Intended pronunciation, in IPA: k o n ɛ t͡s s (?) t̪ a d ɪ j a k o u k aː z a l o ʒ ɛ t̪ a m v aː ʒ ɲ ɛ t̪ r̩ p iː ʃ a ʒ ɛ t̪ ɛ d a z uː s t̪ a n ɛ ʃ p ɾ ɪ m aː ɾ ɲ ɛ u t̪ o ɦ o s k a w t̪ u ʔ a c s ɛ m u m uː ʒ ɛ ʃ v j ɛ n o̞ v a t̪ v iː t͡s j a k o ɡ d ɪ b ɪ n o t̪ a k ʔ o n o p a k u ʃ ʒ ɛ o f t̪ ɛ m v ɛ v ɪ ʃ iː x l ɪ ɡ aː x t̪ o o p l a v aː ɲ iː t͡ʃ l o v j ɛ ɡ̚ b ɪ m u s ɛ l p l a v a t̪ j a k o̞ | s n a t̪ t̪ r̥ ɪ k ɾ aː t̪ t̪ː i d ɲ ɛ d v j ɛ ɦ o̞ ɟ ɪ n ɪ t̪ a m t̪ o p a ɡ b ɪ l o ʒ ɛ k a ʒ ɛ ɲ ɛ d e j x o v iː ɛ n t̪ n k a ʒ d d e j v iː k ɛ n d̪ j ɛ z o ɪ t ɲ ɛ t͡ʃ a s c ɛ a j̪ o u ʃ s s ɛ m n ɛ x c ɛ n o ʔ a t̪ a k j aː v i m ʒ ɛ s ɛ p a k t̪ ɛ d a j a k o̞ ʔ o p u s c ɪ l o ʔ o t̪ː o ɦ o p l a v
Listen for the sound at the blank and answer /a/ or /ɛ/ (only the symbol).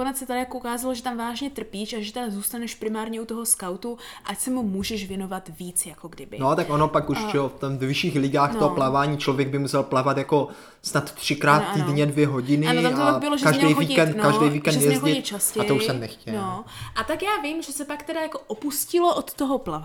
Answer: ɛ